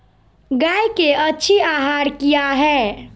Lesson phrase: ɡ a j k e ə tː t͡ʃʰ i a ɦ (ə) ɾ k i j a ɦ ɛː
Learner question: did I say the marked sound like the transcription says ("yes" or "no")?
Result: no